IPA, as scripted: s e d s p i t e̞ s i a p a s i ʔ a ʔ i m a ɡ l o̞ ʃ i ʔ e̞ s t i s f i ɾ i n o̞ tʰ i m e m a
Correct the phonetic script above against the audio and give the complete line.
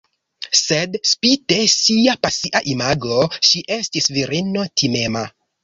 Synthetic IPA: s e d s p i t e̞ s i a p a s i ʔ a ʔ i m a ɡ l o̞ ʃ i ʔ e̞ s t i s v i ɾ i n o̞ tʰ i m e m a